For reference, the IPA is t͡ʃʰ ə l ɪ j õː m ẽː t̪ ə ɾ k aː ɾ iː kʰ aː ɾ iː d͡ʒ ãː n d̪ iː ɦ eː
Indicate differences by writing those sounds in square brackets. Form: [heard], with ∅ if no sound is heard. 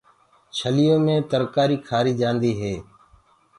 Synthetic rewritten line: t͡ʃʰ ə l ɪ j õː m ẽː t̪ ə ɾ k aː ɾ iː kʰ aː ɾ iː d͡ʒ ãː n d̪ iː ɦ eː